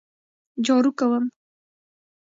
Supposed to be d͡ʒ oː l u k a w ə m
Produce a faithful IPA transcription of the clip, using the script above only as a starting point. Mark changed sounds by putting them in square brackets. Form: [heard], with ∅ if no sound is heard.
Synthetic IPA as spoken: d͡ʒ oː [ɾ] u k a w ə m